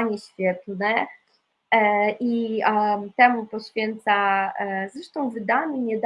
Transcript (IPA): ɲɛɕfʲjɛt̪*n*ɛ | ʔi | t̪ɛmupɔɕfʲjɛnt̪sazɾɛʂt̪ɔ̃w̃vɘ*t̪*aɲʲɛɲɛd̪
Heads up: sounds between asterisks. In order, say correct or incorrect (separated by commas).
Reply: correct, incorrect